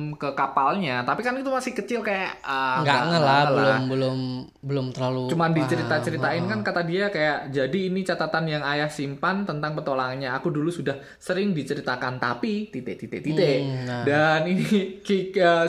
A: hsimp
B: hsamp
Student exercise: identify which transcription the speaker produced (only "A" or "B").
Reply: A